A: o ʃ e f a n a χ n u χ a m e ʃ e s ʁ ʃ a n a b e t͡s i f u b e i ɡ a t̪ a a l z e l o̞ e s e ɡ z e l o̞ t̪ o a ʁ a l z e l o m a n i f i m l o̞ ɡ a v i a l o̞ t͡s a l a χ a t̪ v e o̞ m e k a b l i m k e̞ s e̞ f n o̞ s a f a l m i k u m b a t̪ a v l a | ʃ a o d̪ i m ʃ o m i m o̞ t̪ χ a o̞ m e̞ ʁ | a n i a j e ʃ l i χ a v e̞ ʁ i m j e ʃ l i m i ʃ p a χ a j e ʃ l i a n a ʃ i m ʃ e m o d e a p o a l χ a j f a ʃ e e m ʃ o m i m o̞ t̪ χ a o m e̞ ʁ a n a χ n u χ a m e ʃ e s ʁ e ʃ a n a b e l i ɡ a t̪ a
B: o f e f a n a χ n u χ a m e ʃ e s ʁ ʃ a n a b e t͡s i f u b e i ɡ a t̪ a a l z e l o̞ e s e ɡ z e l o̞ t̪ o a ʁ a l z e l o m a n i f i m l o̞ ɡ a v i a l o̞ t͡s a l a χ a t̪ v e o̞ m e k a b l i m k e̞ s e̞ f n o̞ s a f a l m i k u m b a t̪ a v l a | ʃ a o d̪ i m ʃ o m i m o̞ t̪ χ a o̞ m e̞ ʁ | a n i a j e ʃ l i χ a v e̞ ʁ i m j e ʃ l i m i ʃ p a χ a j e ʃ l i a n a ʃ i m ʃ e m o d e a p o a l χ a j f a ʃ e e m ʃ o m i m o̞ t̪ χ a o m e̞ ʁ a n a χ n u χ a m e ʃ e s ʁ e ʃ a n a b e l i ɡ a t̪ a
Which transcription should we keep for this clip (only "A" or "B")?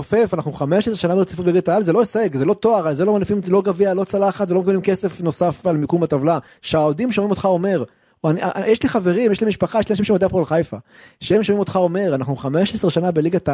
B